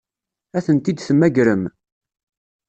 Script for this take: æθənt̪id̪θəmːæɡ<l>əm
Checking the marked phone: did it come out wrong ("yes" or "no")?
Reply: yes